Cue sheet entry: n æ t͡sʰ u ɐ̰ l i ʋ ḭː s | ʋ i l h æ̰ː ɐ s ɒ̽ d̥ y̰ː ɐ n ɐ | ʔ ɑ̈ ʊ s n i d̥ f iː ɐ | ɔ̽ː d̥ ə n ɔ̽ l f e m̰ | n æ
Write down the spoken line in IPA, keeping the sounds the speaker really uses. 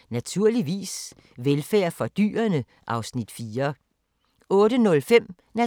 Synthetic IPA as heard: n æ t͡sʰ u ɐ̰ l i ʋ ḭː s | ʋ e l f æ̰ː ɐ f ɒ̽ d̥ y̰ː ɐ n ə | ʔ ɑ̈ ʊ s n i d̥ f iː ɐ | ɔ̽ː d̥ ə n ɔ̽ l f e m̰ | n æ

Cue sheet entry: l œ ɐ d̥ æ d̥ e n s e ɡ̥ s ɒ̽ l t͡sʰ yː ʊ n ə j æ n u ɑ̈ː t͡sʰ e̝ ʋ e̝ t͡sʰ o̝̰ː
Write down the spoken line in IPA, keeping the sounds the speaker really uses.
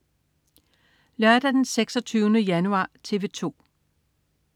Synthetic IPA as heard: l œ ɐ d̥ æ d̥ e n s e ɡ̥ s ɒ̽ t͡sʰ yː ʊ n ə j æ n u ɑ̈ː t͡sʰ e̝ ʋ e̝ t͡sʰ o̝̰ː

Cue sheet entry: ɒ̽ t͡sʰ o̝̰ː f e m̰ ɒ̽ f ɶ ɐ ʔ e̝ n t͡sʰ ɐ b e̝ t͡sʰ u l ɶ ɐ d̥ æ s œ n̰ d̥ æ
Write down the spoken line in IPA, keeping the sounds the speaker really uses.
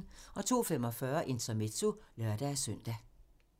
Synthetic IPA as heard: ɒ̽ t͡sʰ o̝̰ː f e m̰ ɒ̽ f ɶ ɐ ʔ e̝ n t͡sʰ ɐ m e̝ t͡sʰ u l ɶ ɐ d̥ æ s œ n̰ d̥ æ

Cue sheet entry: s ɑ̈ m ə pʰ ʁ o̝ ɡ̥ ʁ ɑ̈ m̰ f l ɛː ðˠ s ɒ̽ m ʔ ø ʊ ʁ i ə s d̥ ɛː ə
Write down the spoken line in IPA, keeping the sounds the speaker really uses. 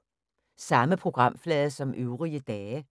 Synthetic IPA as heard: s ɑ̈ m ə pʰ ʁ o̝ ɡ̥ ʁ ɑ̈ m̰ f l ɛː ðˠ s ɒ̽ m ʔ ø ʊ ʁ i ə d̥ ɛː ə

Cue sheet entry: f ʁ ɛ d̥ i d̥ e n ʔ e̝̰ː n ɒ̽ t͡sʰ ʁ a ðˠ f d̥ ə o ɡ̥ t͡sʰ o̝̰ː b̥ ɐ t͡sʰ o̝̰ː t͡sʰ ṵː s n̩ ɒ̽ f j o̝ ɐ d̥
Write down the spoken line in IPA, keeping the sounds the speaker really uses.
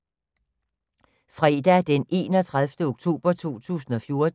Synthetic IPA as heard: f ʁ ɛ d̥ æ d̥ e n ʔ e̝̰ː n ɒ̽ t͡sʰ ʁ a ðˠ f d̥ ə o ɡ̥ t͡sʰ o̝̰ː b̥ ɐ t͡sʰ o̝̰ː t͡sʰ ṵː s n̩ ɒ̽ f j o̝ ɐ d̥

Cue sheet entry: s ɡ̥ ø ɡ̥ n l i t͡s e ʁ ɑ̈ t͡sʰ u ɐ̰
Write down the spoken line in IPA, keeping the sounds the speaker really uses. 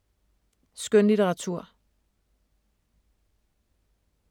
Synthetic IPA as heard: s ɡ̥ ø n l i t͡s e ʁ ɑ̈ t͡sʰ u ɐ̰

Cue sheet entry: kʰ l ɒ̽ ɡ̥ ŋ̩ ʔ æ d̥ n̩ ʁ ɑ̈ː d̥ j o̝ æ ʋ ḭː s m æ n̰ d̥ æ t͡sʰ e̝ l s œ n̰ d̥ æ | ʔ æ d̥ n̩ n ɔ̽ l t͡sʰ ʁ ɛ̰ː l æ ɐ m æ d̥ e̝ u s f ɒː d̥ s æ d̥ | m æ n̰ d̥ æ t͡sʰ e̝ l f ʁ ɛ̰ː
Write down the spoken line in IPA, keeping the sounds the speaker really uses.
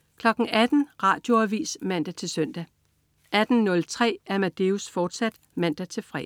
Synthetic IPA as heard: kʰ l ɒ̽ ɡ̥ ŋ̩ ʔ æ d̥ n̩ ʁ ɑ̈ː d̥ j o̝ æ ʋ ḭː s m æ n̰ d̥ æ t͡sʰ e̝ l s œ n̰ d̥ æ | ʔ æ d̥ n̩ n ɔ̽ l t͡sʰ ʁ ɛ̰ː æ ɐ m æ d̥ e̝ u s f ɒː d̥ s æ d̥ | m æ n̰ d̥ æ t͡sʰ e̝ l f ʁ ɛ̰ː

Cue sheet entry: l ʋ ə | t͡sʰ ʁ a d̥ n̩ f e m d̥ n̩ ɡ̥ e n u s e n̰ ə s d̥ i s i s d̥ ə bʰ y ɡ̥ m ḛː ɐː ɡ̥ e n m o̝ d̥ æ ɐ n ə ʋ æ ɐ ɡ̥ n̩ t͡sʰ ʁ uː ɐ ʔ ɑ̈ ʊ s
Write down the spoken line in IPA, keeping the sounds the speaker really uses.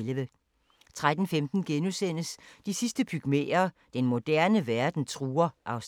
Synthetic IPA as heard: l ʋ ə | t͡sʰ ʁ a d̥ n̩ f e m d̥ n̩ ɡ̥ e n u s e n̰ ə s d̥ i s i s d̥ ə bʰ y ɡ̥ m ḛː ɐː d̥ e n m o̝ d̥ æ ɐ n ə ʋ æ ɐ d̥ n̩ t͡sʰ ʁ uː ɐ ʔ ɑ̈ ʊ s

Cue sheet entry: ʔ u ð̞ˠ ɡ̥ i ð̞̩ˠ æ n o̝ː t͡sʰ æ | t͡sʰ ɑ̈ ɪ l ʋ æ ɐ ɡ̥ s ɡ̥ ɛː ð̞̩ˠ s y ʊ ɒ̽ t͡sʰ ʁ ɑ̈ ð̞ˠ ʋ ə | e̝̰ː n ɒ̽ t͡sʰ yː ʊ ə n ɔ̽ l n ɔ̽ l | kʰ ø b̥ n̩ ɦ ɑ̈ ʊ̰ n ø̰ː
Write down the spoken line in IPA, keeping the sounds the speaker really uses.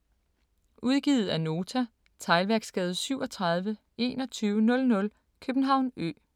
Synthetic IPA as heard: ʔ u ð̞ˠ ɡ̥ i ð̞̩ˠ æ n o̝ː t͡sʰ æ | t͡sʰ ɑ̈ ɪ l ʋ æ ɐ ɡ̥ s ɡ̥ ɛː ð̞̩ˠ s y ʊ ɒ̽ t͡sʰ ʁ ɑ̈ ð̞ˠ ʋ ə | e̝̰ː n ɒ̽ t͡sʰ yː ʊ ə n ɔ̽ l n ɔ̽ l | kʰ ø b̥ n̩ ɦ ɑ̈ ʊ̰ n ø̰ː

